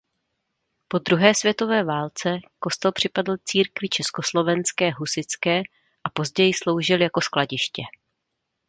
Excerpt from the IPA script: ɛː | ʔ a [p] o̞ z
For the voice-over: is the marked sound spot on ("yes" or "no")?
yes